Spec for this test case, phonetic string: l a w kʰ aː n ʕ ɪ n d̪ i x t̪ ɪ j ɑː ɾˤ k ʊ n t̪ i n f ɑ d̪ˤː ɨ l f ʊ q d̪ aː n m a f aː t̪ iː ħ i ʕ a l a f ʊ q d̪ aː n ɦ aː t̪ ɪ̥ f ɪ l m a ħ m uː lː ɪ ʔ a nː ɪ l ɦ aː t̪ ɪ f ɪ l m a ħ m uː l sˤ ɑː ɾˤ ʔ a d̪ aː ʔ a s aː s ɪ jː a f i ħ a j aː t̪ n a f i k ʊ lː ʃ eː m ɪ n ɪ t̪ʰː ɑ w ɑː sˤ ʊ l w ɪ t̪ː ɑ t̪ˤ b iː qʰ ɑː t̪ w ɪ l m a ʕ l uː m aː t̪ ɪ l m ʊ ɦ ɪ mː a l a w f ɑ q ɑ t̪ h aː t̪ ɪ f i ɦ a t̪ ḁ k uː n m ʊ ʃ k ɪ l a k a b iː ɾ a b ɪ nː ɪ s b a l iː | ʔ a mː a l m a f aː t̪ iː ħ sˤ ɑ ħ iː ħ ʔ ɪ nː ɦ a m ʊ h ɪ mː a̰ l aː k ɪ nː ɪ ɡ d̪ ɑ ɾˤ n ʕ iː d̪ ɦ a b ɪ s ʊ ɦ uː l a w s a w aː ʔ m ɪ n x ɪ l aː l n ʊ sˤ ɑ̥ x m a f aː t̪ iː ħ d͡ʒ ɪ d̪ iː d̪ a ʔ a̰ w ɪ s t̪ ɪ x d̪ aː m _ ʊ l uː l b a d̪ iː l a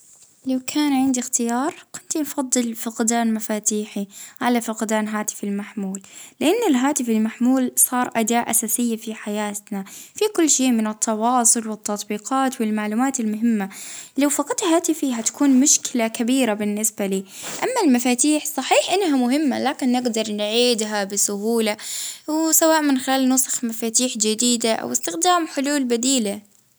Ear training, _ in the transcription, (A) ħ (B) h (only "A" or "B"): A